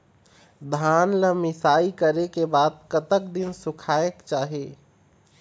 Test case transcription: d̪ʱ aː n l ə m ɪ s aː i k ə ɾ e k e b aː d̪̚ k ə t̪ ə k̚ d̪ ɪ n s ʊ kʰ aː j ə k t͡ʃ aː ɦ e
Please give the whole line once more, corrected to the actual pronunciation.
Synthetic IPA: d̪ʱ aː n l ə m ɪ s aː i k ə ɾ e k e b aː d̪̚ k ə t̪ ə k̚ d̪ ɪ n s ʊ kʰ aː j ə k t͡ʃ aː ɦ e